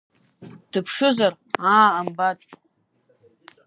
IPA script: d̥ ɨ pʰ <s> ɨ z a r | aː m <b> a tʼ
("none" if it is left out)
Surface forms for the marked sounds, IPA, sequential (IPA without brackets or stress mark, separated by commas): ʂ, b